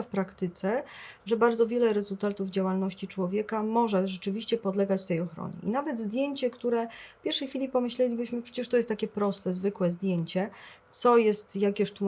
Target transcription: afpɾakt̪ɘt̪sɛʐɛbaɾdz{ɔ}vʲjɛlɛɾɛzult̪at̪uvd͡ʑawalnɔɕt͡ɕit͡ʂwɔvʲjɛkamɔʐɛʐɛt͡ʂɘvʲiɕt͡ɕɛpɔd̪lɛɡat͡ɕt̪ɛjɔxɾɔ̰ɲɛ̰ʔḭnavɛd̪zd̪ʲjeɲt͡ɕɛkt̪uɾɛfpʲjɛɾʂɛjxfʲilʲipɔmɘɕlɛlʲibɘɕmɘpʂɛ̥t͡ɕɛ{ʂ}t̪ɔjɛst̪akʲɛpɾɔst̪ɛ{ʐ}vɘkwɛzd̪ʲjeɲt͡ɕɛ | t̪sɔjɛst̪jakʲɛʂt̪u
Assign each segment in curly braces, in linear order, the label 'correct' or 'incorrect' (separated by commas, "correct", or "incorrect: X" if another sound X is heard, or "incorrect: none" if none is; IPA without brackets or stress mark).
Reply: correct, correct, incorrect: z